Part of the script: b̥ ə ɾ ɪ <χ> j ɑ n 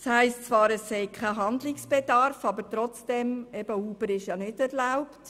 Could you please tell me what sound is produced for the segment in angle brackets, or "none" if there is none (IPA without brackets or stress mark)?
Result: ʃ